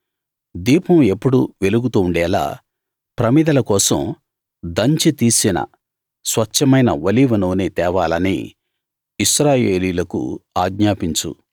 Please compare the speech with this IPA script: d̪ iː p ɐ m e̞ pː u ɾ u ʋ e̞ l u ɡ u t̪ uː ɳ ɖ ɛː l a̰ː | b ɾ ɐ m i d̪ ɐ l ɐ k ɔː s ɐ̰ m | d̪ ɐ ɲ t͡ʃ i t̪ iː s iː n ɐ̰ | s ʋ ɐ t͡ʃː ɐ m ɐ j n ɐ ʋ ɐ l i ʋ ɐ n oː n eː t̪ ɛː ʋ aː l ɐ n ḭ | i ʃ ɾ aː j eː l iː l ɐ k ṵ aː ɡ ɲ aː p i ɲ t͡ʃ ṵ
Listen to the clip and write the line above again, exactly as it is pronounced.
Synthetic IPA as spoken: d̪ iː p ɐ m e̞ pː u ɽ u ʋ e̞ l u ɡ u t̪ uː ɳ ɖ ɛː l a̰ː | p ɾ ɐ m i d̪ ɐ l ɐ k ɔː s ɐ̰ m | d̪ ɐ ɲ t͡ʃ i t̪ iː s i n ɐ̰ | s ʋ ɐ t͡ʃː ɐ m ɐ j n ɐ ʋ ɐ l i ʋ ɐ n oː n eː t̪ ɛː ʋ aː l ɐ n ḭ | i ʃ ɾ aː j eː l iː l ɐ k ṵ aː ɡ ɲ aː p i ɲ t͡ʃ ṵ